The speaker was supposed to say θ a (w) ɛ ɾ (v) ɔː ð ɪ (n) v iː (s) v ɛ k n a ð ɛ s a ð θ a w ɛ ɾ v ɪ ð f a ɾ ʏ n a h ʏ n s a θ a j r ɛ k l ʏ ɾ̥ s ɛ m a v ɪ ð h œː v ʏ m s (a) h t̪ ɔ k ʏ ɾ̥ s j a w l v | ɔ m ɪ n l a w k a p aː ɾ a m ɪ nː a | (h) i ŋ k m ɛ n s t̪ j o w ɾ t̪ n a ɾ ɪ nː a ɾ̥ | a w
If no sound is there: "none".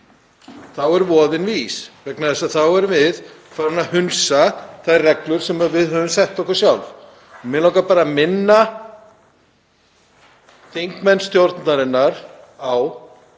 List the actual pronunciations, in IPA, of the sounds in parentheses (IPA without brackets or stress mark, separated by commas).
w, v, n, s, ɛ, θ